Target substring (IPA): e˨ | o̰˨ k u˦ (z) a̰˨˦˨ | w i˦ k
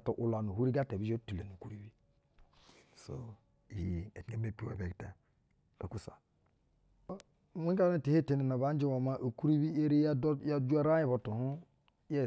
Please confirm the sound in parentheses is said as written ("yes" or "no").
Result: no